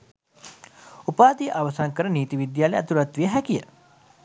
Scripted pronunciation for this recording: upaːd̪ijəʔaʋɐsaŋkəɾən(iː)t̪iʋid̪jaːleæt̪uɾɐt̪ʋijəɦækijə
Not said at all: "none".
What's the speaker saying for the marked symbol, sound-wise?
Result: iː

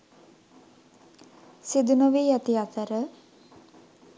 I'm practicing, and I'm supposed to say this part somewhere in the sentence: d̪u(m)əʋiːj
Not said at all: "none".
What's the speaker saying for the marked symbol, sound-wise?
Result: n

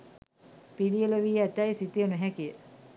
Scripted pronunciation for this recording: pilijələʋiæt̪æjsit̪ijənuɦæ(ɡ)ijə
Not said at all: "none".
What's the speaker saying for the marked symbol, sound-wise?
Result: k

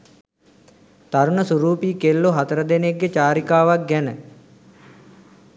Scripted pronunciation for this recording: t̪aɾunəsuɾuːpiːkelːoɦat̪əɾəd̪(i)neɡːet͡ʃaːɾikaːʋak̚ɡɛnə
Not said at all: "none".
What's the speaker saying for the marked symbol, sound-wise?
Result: e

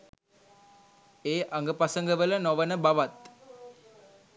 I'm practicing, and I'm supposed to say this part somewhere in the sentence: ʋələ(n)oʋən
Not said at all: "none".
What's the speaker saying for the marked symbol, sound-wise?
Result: n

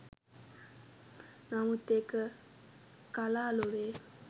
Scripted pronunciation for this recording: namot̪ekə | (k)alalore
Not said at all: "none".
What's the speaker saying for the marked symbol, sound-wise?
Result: k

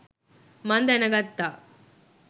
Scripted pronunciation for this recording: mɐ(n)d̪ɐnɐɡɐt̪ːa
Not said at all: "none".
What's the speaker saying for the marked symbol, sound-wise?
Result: n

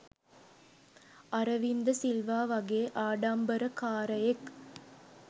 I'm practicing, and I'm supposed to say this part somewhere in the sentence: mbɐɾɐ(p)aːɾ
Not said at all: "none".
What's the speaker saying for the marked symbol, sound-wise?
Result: k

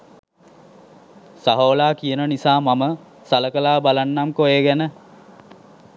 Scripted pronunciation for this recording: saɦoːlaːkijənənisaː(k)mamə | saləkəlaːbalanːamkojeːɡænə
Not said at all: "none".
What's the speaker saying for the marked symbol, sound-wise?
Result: none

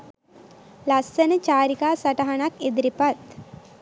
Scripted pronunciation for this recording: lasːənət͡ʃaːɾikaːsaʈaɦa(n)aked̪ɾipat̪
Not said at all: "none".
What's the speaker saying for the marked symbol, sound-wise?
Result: n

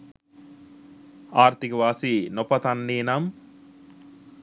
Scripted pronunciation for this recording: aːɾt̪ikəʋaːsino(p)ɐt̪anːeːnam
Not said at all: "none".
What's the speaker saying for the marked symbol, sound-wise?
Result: p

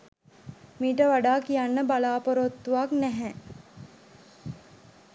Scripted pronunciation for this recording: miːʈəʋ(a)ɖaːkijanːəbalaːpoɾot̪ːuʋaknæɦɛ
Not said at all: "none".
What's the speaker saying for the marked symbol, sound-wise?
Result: a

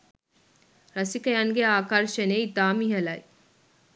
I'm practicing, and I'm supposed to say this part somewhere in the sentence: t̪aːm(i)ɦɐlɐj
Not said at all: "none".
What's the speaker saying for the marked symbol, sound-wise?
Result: i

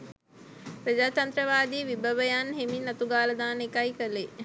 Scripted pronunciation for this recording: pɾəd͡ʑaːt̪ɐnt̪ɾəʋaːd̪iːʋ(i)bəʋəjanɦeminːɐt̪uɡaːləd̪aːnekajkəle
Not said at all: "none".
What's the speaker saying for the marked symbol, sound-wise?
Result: i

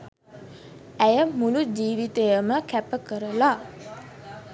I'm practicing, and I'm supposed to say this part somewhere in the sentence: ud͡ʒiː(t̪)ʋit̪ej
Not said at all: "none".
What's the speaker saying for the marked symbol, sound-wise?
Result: none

